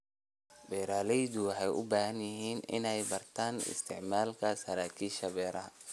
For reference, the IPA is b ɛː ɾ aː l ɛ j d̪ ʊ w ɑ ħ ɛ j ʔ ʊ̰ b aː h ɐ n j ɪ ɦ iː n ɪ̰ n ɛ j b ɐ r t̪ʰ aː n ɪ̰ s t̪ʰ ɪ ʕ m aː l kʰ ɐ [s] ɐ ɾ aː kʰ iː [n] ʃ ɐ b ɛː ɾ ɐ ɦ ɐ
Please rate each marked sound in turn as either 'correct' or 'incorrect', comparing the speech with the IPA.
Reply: correct, incorrect

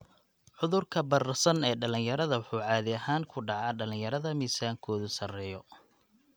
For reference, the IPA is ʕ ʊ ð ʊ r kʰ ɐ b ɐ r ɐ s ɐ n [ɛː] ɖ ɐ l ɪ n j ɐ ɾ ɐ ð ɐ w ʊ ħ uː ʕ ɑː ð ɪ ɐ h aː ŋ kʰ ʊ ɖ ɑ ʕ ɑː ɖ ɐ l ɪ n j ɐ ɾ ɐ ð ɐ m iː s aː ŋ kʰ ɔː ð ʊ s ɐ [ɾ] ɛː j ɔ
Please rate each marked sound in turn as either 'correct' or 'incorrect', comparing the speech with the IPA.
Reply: correct, incorrect

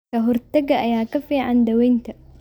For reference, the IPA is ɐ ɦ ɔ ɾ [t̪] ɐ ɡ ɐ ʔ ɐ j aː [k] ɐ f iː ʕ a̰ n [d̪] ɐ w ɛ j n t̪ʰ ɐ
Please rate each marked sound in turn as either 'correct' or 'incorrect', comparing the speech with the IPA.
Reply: correct, correct, correct

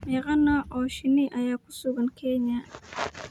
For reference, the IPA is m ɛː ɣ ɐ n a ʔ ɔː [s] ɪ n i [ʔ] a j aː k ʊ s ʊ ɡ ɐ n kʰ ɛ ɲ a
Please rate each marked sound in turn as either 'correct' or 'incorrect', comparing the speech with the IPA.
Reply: incorrect, correct

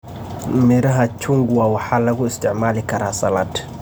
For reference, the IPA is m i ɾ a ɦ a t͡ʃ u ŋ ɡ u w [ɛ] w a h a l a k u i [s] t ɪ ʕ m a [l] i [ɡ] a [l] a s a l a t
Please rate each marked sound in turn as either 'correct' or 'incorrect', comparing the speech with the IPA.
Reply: incorrect, correct, correct, incorrect, incorrect

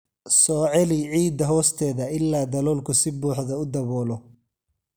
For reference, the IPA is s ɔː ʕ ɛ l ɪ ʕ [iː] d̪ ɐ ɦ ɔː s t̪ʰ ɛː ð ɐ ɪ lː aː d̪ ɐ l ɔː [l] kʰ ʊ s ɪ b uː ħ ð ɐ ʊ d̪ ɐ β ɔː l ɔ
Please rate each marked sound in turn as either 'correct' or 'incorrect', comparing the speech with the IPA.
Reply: correct, correct

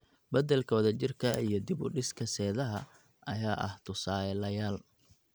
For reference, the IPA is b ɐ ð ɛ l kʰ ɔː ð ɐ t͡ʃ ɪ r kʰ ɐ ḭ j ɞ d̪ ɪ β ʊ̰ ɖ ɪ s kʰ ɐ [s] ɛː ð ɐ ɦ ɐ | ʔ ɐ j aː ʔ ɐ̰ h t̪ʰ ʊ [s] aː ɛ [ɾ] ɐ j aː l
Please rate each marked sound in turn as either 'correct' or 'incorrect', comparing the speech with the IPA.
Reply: correct, correct, incorrect

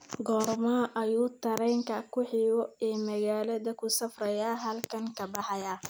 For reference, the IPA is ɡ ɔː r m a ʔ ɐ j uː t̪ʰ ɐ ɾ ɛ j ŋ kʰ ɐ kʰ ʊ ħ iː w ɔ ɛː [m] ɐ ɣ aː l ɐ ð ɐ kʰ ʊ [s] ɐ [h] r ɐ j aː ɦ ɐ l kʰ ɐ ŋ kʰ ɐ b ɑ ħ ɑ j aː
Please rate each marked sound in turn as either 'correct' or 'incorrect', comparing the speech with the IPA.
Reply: correct, correct, incorrect

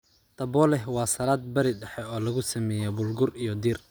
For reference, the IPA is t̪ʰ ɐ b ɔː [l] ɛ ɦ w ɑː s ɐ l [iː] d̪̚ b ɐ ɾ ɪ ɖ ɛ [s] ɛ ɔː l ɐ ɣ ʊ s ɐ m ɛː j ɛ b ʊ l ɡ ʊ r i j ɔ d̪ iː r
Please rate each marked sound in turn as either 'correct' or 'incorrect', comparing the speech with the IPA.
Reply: correct, incorrect, incorrect

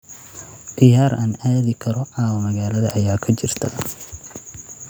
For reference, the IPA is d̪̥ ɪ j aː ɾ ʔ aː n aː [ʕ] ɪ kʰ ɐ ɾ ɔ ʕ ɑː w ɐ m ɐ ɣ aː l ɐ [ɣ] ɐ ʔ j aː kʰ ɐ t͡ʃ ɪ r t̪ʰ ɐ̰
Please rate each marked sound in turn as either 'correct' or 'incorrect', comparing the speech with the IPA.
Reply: incorrect, incorrect

